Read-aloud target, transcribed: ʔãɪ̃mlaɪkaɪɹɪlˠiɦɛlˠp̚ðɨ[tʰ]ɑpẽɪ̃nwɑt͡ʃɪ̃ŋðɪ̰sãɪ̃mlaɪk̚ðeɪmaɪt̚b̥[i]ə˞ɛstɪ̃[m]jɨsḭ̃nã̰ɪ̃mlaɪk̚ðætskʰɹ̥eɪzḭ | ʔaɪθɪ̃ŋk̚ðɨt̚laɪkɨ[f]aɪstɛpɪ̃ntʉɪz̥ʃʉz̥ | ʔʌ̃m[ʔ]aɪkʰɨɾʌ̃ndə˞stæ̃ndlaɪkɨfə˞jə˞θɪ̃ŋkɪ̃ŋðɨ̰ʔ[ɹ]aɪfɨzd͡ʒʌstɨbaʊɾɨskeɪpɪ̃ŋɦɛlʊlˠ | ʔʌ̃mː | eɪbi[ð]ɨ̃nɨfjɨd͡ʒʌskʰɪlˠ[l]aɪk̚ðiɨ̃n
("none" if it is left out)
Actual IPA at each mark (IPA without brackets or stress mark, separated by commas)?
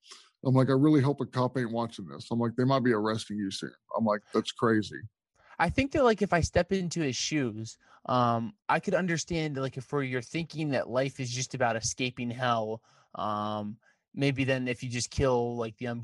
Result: kʰ, i, ŋ, f, ʔ, l, ð, l